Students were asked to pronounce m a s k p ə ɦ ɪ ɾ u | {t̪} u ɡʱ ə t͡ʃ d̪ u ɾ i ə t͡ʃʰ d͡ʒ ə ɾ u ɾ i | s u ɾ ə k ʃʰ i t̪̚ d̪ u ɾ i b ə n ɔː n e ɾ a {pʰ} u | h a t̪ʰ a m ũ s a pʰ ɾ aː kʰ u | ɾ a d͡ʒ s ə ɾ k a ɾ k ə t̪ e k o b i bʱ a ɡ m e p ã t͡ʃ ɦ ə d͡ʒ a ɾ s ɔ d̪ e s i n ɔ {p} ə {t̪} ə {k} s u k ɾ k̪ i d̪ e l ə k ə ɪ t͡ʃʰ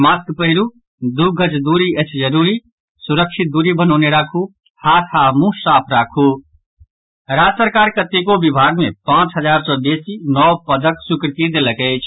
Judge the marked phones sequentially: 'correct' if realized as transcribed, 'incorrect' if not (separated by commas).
incorrect, incorrect, correct, incorrect, correct